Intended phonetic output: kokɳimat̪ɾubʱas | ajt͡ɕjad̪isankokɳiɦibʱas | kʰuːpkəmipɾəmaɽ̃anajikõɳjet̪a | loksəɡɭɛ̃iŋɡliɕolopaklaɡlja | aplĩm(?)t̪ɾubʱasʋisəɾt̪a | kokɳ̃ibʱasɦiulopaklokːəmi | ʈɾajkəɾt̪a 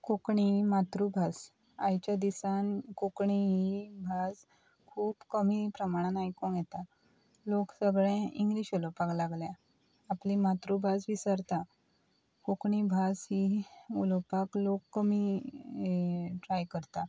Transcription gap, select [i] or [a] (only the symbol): a